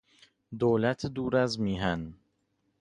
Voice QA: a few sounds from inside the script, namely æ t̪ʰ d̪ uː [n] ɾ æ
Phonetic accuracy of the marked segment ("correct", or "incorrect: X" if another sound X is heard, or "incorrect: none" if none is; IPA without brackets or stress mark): incorrect: none